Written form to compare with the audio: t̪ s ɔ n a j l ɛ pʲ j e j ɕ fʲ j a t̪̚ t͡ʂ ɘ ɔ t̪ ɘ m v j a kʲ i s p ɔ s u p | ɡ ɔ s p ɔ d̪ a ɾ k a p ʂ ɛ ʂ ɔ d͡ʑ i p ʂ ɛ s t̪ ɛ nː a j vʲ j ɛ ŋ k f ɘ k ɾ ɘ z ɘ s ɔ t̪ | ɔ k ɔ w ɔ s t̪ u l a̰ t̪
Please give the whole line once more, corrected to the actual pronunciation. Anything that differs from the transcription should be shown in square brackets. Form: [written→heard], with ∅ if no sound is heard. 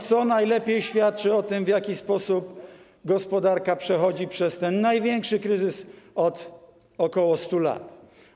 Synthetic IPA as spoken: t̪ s ɔ n a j l ɛ pʲ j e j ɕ fʲ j a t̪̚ t͡ʂ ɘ ɔ t̪ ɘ m v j a kʲ i s p ɔ s u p | ɡ ɔ s p ɔ d̪ a ɾ k a p ʂ ɛ [ʂ→x] ɔ d͡ʑ i p ʂ ɛ s t̪ ɛ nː a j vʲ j ɛ ŋ k [f→ʂ] ɘ k ɾ ɘ z ɘ s ɔ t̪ | ɔ k ɔ w ɔ s t̪ u l a̰ t̪